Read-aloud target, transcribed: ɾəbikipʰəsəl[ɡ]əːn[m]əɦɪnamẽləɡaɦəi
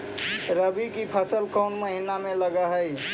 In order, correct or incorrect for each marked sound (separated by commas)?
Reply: incorrect, correct